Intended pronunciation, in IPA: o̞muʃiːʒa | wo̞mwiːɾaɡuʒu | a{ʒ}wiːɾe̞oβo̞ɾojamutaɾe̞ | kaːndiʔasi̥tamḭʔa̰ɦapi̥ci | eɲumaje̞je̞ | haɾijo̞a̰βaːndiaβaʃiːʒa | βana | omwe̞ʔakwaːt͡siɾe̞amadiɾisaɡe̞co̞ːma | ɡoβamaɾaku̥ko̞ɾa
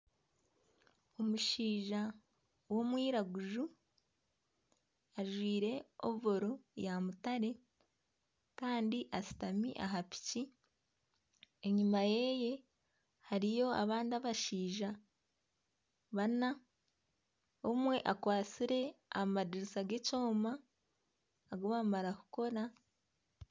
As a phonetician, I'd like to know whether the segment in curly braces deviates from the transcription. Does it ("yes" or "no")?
no